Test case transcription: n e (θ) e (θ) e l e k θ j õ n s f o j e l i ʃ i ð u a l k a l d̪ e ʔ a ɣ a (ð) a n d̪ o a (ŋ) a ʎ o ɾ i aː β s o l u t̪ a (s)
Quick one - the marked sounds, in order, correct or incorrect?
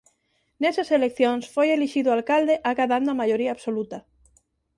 incorrect, incorrect, correct, incorrect, incorrect

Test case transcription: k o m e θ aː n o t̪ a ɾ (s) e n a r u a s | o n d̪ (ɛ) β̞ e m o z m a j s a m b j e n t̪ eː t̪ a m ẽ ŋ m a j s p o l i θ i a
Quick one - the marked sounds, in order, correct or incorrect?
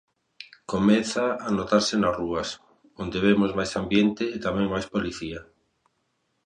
correct, incorrect

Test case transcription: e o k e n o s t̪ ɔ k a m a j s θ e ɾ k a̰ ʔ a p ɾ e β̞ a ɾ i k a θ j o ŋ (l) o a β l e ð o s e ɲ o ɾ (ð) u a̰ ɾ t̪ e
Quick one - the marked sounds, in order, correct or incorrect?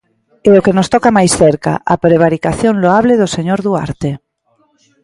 correct, correct

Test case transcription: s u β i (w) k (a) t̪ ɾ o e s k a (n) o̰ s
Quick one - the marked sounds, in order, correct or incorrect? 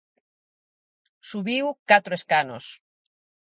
correct, correct, correct

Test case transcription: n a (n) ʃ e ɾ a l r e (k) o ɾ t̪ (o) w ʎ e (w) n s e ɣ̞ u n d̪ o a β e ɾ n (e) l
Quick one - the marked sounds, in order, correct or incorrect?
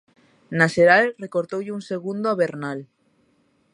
incorrect, correct, correct, incorrect, incorrect

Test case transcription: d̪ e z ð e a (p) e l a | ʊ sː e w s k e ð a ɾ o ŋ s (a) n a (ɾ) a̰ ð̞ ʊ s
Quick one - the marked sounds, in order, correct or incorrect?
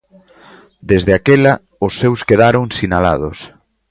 incorrect, incorrect, incorrect

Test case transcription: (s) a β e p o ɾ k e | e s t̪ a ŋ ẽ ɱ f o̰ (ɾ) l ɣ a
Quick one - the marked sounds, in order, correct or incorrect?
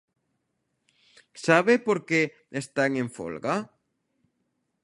correct, incorrect

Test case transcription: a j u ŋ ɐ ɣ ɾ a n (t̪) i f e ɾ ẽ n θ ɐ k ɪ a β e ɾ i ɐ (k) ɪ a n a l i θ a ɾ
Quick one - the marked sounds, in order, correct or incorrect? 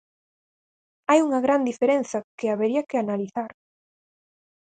incorrect, correct

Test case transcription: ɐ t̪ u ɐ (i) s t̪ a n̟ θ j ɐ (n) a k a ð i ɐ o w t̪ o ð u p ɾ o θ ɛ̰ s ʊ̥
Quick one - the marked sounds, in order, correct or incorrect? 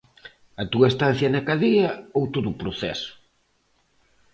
incorrect, correct

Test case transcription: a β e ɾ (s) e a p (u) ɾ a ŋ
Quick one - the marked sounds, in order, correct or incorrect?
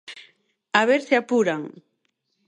correct, correct

